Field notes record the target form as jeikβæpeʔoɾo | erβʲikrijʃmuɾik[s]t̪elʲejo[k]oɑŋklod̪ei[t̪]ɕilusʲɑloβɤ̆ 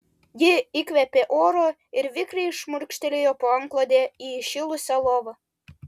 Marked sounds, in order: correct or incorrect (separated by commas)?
incorrect, incorrect, incorrect